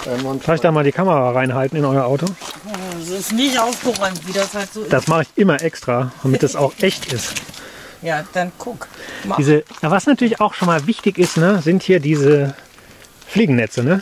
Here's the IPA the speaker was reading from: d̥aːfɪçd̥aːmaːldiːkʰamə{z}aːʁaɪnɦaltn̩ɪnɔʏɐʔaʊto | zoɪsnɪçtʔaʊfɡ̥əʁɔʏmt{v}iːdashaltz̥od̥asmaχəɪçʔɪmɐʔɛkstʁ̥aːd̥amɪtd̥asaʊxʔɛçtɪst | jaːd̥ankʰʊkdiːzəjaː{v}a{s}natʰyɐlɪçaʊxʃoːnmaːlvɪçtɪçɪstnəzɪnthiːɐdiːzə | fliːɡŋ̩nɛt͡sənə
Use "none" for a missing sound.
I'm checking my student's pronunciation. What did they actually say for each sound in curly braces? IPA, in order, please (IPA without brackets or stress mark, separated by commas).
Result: ʁ, v, v, s